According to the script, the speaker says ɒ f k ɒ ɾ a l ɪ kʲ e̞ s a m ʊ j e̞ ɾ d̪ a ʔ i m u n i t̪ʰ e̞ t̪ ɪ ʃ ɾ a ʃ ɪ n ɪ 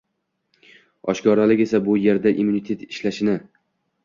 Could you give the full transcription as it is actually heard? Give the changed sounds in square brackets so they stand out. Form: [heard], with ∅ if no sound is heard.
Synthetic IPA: ɒ [ʃ] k ɒ ɾ a l ɪ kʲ e̞ s a [b] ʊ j e̞ ɾ d̪ a ʔ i m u n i t̪ʰ e̞ t̪ ɪ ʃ [l] a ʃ ɪ n ɪ